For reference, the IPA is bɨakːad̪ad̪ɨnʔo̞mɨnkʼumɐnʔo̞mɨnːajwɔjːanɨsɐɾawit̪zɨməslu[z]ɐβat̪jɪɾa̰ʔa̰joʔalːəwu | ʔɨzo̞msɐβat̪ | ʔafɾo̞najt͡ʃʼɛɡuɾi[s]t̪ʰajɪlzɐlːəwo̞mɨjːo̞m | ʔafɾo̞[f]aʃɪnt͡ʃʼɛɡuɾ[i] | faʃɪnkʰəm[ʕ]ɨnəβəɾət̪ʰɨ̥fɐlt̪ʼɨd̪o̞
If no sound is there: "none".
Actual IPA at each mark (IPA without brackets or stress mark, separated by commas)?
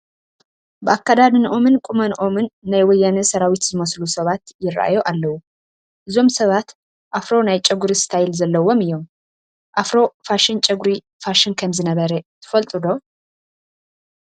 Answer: s, s, f, i, z